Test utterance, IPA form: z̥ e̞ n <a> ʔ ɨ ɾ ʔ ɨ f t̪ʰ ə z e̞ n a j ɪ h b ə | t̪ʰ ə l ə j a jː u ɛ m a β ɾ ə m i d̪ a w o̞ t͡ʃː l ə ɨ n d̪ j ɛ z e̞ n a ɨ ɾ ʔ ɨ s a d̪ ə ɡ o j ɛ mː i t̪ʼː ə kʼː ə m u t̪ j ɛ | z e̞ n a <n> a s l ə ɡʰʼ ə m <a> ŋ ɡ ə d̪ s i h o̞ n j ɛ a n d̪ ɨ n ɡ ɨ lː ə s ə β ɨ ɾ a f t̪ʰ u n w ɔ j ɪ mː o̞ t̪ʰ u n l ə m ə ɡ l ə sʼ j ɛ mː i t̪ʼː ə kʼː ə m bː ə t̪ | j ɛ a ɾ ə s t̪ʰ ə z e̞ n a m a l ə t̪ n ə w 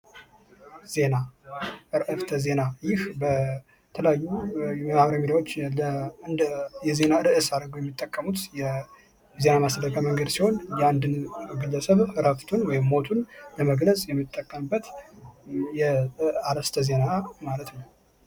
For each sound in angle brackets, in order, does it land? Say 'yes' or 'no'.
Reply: yes, no, no

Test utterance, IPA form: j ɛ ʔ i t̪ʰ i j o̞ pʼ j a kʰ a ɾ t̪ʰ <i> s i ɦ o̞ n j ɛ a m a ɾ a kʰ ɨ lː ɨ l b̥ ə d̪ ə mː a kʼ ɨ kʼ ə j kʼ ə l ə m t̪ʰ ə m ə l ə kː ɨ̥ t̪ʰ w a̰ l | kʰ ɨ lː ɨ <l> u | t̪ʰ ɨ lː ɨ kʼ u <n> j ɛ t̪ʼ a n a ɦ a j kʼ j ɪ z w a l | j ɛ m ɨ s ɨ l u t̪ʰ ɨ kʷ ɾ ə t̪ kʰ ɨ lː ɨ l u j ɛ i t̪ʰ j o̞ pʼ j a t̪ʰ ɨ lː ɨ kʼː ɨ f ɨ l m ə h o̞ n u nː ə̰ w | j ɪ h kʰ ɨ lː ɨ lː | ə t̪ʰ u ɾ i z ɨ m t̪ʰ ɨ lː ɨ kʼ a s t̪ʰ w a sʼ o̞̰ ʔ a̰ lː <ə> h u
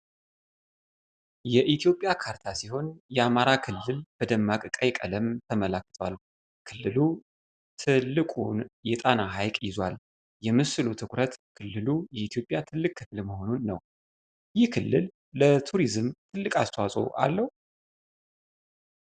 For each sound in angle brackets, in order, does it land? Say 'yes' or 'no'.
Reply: no, yes, yes, yes

